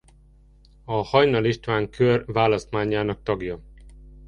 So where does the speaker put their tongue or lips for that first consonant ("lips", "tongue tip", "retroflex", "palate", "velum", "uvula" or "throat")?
throat